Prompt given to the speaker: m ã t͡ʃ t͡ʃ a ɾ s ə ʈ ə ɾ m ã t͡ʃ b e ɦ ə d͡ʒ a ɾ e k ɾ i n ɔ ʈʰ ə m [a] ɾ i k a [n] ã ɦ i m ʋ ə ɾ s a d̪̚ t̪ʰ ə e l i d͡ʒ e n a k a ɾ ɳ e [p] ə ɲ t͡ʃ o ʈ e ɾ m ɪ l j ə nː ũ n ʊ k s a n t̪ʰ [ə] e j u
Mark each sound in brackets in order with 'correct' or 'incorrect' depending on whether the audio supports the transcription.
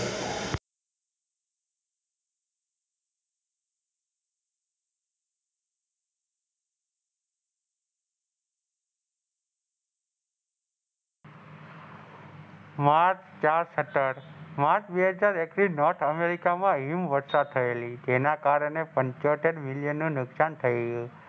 incorrect, incorrect, correct, correct

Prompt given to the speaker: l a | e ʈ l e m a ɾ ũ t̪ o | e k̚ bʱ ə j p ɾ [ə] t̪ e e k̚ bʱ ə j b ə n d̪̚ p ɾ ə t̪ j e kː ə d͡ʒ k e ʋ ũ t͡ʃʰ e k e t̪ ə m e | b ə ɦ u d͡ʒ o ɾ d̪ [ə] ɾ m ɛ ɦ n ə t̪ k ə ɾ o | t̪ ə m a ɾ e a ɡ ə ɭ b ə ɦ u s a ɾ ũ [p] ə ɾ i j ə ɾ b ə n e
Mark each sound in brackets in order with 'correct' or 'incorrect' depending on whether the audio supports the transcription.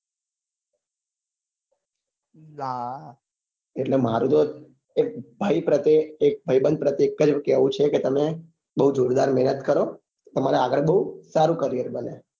correct, incorrect, incorrect

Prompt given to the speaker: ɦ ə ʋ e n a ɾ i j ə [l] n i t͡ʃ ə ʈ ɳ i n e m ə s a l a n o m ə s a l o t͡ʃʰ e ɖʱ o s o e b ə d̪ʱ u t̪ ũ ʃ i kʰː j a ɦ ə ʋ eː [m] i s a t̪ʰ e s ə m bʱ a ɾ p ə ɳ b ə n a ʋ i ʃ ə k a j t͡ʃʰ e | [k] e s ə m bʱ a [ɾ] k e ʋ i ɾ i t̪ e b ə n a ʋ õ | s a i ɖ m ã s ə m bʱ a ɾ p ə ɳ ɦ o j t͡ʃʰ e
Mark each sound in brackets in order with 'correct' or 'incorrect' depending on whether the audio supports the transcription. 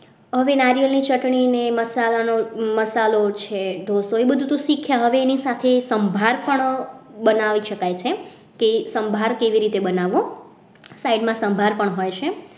correct, incorrect, correct, correct

